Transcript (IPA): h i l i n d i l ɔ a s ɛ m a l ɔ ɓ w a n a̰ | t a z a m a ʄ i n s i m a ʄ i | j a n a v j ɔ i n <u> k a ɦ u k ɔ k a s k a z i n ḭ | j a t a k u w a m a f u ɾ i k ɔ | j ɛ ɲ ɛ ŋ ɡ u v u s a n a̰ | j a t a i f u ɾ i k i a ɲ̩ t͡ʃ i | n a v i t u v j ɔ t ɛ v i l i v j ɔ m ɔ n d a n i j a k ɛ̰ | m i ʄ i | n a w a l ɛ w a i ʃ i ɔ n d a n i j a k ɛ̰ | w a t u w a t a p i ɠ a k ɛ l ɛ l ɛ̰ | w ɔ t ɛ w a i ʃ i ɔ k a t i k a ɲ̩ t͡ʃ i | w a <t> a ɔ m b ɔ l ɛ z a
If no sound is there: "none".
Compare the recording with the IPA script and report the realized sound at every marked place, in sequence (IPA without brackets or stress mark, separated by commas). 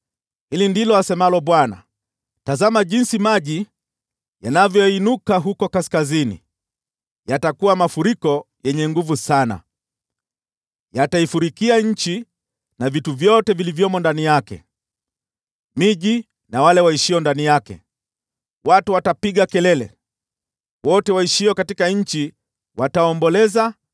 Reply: u, t